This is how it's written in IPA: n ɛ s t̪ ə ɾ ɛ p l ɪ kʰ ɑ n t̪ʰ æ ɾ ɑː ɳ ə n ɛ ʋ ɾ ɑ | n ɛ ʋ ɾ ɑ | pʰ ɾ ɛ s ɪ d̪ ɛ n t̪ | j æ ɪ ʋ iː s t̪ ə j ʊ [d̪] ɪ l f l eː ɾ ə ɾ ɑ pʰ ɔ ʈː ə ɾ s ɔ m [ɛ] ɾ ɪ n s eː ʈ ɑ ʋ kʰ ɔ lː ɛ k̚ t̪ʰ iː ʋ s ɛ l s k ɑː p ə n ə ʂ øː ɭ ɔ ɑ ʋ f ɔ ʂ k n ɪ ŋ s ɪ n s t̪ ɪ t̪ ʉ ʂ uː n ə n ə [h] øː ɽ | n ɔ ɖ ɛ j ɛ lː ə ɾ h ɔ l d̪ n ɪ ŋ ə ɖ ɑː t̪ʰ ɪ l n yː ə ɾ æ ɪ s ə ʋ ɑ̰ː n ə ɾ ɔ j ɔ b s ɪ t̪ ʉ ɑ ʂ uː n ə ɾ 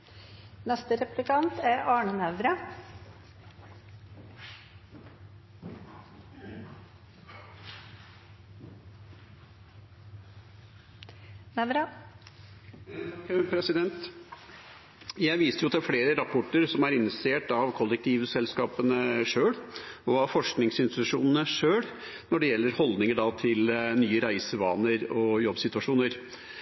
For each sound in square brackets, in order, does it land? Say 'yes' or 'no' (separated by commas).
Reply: no, no, no